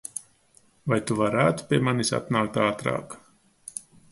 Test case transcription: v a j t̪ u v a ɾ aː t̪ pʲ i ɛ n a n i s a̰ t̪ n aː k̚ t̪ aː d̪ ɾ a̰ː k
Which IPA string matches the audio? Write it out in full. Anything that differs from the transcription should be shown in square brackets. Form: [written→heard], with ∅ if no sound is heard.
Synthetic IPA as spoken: v a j t̪ u v a ɾ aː t̪ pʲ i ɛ [n→m] a n i s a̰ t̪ n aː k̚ t̪ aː [d̪→t̪] ɾ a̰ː k